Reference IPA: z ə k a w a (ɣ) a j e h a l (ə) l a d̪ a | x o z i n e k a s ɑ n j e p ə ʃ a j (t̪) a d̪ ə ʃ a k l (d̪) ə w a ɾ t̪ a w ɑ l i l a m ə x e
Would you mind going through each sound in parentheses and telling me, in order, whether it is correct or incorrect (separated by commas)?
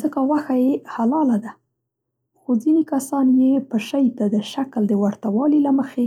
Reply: incorrect, incorrect, correct, correct